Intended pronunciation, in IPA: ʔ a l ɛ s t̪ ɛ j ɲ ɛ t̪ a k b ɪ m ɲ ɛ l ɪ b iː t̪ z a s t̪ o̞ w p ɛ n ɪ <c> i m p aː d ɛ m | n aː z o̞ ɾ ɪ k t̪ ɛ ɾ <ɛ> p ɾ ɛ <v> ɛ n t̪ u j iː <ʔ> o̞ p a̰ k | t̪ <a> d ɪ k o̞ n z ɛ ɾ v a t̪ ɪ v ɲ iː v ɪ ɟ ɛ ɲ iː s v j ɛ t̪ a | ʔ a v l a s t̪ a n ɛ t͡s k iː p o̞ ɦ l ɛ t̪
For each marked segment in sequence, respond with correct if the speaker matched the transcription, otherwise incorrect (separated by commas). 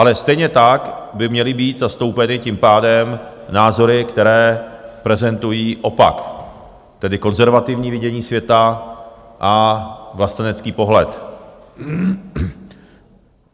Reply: correct, incorrect, incorrect, correct, incorrect